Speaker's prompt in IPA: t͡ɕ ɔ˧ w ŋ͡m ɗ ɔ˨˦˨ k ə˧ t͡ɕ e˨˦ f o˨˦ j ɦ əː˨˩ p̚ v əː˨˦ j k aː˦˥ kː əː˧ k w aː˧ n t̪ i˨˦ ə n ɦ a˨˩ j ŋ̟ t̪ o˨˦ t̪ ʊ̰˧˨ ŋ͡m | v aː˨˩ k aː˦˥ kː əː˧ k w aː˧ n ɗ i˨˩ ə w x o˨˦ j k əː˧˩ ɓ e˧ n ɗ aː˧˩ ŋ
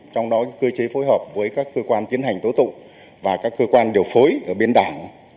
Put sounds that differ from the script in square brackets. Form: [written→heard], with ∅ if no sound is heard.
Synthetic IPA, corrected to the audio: t͡ɕ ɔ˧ w ŋ͡m ɗ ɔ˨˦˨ k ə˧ t͡ɕ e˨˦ f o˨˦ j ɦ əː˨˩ p̚ v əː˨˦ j k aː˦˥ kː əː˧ k w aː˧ n t̪ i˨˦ ə n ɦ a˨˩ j ŋ̟ t̪ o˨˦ t̪ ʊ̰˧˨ ŋ͡m | v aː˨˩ k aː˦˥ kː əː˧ k w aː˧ n ɗ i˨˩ ə w [x→f] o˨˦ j [k→ʔ] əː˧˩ ɓ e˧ n ɗ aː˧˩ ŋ